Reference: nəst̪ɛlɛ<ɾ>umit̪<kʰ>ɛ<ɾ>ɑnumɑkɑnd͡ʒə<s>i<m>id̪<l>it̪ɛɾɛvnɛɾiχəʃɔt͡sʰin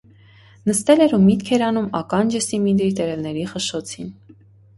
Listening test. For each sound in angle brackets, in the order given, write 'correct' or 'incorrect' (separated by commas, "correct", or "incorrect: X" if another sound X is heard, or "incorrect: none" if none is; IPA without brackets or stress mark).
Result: correct, correct, correct, correct, correct, incorrect: ɾ